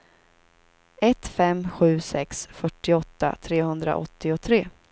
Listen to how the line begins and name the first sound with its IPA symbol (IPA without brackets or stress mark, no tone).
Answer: ɛ